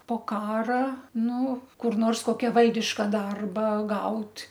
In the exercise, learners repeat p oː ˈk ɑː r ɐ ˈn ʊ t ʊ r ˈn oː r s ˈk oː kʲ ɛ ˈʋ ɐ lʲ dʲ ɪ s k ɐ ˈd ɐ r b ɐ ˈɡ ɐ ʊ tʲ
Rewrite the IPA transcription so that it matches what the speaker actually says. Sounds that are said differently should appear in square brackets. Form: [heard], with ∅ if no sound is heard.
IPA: p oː ˈk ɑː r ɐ ˈn ʊ [k] ʊ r ˈn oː r s ˈk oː kʲ ɛ ˈʋ ɐ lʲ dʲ ɪ [ʃ] k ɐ ˈd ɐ r b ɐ ˈɡ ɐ ʊ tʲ